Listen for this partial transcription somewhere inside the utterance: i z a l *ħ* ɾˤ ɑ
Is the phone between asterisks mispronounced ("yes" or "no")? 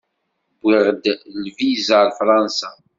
yes